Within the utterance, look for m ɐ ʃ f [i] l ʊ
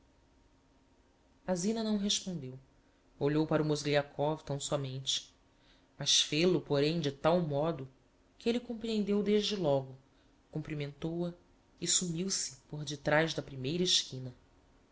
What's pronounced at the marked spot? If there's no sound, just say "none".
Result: e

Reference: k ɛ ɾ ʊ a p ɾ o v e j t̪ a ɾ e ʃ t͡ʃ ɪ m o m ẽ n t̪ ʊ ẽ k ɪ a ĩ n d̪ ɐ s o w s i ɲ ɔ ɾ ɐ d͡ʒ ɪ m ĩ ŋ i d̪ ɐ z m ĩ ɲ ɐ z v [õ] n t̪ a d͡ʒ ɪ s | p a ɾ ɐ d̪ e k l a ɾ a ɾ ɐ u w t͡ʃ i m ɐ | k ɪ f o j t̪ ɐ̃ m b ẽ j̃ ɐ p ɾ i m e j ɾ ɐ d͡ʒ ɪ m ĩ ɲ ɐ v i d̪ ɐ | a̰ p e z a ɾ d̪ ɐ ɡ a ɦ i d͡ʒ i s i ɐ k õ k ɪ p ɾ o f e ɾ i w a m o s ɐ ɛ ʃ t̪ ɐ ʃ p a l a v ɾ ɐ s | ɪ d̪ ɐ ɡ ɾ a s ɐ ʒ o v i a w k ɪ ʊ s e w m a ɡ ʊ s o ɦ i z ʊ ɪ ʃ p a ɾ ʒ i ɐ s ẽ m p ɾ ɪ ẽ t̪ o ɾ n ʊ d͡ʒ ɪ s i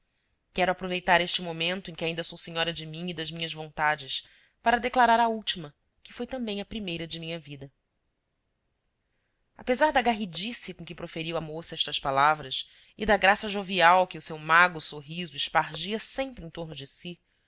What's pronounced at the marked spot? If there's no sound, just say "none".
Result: õ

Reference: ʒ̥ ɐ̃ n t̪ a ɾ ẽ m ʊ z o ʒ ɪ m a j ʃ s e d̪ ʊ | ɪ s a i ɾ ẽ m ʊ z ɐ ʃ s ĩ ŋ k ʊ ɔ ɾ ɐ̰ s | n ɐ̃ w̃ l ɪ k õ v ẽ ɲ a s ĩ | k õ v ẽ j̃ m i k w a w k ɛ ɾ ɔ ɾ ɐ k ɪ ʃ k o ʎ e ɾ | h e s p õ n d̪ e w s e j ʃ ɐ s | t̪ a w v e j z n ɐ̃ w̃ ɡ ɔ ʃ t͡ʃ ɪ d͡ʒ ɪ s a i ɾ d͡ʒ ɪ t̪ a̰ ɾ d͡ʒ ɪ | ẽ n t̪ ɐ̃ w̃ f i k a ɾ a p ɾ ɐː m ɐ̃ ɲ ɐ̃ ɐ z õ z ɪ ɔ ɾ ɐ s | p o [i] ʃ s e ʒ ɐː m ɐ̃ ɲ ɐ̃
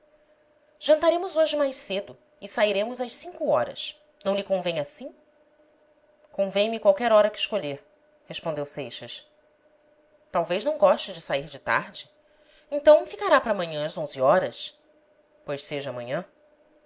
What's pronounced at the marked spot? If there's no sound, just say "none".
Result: j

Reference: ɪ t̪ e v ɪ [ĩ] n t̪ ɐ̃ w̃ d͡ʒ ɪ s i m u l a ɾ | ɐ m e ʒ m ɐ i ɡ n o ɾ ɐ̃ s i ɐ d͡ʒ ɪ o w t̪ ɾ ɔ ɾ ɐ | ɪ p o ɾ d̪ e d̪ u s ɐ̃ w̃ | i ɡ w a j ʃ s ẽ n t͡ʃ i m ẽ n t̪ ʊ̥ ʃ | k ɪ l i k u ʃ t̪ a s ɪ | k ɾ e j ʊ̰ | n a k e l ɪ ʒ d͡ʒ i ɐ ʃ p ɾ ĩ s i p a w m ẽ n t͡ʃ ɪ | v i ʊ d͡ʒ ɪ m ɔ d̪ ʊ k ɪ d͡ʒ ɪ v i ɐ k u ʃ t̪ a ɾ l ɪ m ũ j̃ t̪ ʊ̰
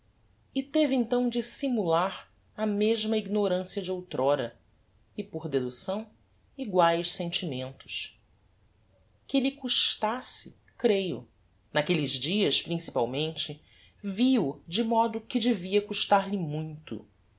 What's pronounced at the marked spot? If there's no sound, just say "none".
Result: ẽ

